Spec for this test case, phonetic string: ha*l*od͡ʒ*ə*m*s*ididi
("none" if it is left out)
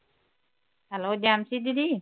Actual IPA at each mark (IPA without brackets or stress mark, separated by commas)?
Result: l, a, s